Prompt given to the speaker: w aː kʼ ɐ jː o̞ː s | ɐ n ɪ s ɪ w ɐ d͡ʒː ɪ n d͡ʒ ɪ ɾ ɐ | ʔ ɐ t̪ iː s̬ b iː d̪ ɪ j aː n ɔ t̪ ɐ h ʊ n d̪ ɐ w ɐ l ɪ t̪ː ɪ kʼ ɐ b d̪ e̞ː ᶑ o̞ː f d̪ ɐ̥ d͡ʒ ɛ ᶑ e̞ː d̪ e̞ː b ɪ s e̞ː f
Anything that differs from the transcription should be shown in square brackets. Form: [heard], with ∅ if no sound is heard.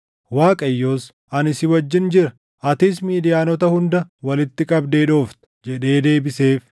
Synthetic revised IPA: w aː kʼ ɐ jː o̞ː s | ɐ n ɪ s ɪ w ɐ d͡ʒː ɪ n d͡ʒ ɪ ɾ ɐ | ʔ ɐ t̪ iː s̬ [m] iː d̪ ɪ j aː n ɔ t̪ ɐ h ʊ n d̪ ɐ w ɐ l ɪ t̪ː ɪ kʼ ɐ b d̪ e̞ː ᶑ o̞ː f [t̪] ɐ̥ d͡ʒ ɛ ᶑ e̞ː d̪ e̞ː b ɪ s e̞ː f